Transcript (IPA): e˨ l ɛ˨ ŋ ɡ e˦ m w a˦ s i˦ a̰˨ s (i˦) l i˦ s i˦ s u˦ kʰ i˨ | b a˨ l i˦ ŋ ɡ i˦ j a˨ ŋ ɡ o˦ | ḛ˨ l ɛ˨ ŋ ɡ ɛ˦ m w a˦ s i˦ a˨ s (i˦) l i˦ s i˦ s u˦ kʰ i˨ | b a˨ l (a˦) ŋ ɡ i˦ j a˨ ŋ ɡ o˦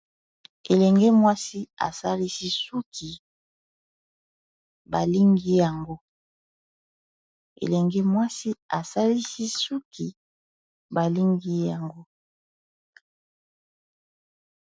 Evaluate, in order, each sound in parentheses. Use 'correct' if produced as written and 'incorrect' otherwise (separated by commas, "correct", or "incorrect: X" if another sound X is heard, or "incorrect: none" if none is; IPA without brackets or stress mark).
incorrect: a˦, incorrect: a˦, incorrect: i˦